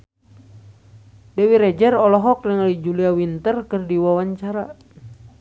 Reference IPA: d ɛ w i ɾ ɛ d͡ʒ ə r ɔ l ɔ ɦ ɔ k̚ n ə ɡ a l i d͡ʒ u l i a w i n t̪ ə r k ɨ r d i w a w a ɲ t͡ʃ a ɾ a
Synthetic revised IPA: d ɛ w i ɾ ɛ d͡ʒ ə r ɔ l ɔ ɦ ɔ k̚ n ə ŋ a l i d͡ʒ u l i a w i n t̪ ə r k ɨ r d i w a w a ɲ t͡ʃ a ɾ a